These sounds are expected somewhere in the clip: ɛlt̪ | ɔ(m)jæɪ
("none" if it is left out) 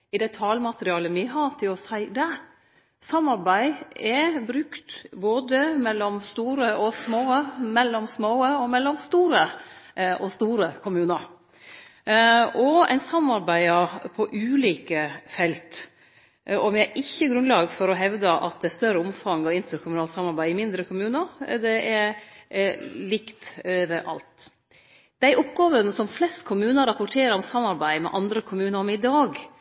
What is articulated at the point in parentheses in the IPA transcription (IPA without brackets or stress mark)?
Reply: m